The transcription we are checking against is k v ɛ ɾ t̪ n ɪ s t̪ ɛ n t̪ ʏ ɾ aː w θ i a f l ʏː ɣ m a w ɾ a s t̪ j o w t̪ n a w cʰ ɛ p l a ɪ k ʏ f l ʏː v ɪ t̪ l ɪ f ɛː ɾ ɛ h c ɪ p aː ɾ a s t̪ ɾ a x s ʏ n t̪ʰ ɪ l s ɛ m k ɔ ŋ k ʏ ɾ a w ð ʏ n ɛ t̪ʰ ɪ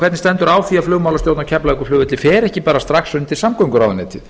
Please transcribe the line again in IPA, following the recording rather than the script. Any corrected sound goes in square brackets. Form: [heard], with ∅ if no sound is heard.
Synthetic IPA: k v ɛ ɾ t̪ n ɪ s t̪ ɛ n t̪ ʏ ɾ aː w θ i a f l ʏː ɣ m a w [l] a s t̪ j o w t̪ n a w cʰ ɛ p l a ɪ k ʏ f l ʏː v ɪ t̪ l ɪ f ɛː ɾ ɛ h c ɪ p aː ɾ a s t̪ ɾ a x s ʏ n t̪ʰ ɪ l s [a] m k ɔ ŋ k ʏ ɾ a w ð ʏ n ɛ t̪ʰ ɪ